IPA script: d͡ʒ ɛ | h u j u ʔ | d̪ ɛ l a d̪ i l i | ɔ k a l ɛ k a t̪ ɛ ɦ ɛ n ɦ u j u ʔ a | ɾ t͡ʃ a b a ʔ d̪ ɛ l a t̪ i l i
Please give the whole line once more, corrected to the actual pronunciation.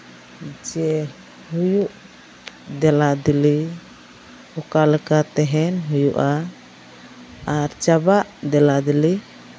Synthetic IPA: d͡ʒ ɛ | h u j u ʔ | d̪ ɛ l a d̪ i l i | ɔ k a l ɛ k a t̪ ɛ ɦ ɛ n ɦ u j u ʔ a | ɾ t͡ʃ a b a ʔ d̪ ɛ l a d̪ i l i